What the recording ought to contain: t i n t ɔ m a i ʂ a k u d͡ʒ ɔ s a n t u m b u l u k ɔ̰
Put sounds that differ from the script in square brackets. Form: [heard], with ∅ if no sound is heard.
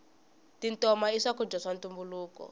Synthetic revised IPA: t i n t ɔ m a i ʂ a k u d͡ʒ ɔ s a n t u m b u l [uː] k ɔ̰